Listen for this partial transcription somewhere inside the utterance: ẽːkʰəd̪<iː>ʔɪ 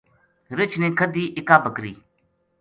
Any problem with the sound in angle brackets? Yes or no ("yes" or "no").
no